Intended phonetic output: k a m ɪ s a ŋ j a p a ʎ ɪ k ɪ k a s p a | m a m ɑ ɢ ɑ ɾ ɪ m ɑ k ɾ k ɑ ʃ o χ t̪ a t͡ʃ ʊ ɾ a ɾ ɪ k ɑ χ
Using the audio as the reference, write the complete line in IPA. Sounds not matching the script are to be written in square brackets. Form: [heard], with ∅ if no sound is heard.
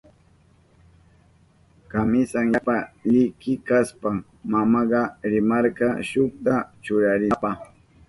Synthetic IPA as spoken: k a m ɪ s a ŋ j a p a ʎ ɪ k ɪ k a s p a | m a m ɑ ɢ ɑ ɾ ɪ m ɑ [∅] ɾ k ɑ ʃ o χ t̪ a t͡ʃ ʊ ɾ a ɾ ɪ [p] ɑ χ